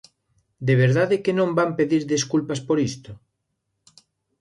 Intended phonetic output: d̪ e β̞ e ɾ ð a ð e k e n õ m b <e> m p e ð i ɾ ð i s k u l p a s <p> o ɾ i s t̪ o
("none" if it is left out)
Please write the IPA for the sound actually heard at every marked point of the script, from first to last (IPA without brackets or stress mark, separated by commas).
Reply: a, p